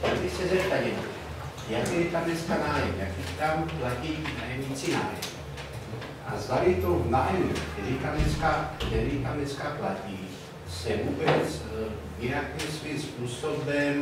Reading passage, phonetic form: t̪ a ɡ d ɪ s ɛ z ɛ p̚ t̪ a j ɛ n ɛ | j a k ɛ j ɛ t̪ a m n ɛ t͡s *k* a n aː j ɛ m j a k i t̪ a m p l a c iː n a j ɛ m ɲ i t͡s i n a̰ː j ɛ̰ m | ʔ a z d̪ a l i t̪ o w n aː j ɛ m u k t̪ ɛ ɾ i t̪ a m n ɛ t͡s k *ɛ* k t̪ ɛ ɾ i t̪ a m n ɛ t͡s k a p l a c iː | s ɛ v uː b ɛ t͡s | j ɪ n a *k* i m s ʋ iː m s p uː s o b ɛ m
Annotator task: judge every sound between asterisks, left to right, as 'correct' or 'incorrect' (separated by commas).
correct, incorrect, correct